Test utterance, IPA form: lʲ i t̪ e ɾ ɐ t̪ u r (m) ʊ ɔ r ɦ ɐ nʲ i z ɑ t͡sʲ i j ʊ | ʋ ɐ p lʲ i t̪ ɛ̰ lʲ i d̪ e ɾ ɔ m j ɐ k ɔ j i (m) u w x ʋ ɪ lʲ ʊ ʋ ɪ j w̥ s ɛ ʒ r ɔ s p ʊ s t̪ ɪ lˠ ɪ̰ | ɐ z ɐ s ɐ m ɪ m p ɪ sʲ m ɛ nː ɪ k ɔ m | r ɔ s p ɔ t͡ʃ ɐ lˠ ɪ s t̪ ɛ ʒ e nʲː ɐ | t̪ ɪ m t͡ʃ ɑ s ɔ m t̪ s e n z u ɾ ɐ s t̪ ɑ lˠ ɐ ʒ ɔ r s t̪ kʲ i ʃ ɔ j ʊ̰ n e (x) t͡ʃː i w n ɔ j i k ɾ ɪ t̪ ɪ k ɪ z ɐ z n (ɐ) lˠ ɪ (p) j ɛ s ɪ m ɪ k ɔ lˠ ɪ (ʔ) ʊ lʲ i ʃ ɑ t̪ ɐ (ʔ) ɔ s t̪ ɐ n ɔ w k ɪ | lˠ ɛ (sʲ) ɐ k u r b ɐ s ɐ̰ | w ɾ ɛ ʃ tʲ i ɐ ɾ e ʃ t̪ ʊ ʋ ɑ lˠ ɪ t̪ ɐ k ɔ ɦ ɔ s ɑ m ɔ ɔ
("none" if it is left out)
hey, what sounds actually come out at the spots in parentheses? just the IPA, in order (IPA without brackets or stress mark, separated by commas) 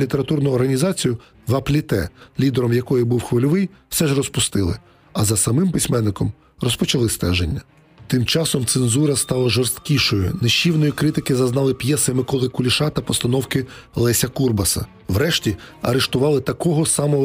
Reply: n, b, ʃ, ɑ, p, k, p, sʲ